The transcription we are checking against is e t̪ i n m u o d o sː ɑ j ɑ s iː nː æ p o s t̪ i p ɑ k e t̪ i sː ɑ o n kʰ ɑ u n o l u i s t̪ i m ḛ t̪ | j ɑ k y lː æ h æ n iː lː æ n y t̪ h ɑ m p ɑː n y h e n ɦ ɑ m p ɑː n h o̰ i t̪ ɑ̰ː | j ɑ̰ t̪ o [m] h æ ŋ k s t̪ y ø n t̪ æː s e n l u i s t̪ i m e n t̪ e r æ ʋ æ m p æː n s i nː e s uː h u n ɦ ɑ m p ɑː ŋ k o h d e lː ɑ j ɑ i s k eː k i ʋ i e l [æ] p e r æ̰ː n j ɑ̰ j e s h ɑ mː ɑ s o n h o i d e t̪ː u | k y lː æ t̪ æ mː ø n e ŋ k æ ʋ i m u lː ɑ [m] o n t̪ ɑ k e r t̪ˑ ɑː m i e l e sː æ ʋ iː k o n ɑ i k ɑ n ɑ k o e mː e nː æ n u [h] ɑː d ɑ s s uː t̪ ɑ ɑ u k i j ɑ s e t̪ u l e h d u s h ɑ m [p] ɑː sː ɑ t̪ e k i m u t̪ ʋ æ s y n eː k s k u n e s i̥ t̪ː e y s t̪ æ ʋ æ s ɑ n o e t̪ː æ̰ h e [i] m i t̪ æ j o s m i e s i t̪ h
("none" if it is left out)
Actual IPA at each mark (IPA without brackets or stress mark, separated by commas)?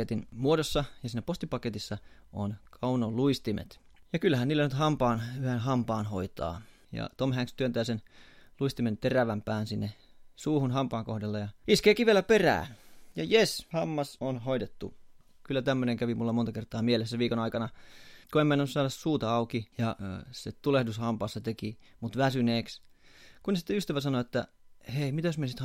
m, æ, m, s, p, i